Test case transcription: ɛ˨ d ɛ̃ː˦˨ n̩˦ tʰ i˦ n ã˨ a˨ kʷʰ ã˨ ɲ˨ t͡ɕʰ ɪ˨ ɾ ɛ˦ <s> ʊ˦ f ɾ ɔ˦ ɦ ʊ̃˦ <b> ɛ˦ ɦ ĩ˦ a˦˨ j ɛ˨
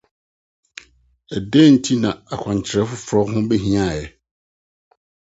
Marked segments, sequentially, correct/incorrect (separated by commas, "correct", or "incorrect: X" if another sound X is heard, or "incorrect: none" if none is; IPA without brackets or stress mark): incorrect: f, correct